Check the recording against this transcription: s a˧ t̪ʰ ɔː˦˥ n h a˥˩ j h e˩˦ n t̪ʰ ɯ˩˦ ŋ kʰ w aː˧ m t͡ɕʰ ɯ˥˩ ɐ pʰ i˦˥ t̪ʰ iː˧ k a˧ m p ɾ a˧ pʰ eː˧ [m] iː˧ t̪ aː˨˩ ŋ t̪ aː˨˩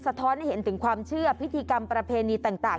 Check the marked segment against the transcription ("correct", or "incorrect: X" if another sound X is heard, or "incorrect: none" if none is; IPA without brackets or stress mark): incorrect: n